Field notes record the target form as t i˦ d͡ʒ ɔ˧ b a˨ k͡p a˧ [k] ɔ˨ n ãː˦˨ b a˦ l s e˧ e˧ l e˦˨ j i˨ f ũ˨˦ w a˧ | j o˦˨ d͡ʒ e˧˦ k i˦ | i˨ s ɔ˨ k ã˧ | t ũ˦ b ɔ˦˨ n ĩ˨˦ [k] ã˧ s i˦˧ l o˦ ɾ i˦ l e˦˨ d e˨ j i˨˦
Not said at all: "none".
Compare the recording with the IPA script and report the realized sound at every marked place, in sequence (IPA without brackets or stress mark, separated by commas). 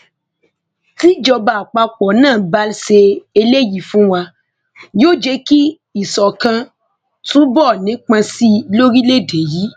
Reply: k͡p, k͡p